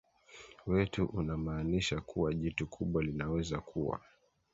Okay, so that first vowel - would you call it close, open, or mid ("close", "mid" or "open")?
mid